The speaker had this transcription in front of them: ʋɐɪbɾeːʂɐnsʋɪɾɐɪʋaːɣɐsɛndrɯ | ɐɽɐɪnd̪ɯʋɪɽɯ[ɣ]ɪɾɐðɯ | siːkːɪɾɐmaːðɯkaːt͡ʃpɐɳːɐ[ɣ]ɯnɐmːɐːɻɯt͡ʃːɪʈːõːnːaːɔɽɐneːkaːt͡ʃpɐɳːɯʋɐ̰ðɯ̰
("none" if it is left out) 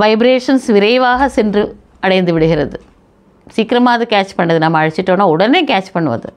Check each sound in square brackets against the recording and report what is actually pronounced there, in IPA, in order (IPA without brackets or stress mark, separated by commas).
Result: ɣ, ð